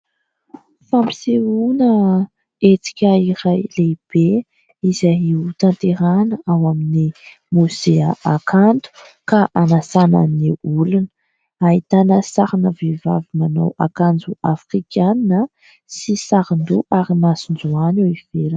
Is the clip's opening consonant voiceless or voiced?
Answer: voiceless